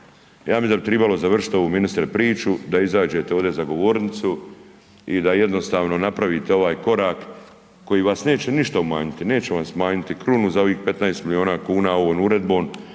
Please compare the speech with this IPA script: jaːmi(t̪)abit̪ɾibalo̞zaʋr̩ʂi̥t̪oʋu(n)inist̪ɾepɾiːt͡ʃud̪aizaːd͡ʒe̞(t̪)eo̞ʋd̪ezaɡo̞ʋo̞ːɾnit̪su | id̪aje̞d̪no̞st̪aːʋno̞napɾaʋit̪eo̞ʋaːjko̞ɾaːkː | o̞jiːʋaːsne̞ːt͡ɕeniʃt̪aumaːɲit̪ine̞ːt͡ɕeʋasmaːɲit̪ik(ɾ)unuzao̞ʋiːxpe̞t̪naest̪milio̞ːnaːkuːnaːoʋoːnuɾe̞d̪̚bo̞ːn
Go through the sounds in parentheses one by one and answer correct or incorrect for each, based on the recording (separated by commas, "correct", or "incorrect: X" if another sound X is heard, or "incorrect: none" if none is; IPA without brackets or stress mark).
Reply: incorrect: d̪, incorrect: m, correct, correct